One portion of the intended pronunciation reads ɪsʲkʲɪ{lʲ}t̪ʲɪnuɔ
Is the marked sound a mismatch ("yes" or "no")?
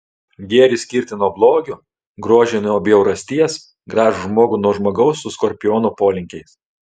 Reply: yes